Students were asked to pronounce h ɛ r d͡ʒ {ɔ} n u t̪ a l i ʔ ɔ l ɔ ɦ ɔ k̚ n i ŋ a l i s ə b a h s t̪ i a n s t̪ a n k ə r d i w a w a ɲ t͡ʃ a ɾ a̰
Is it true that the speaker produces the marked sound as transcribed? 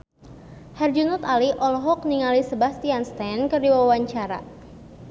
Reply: no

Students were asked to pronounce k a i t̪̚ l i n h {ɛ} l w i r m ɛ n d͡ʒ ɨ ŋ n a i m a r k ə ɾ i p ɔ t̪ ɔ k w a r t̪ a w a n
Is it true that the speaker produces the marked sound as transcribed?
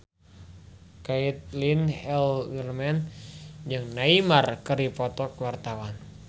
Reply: yes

